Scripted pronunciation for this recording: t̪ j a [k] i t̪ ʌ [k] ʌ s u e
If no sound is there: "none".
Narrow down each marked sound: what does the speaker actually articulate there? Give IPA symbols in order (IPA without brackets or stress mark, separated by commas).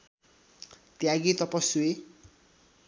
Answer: ɡ, p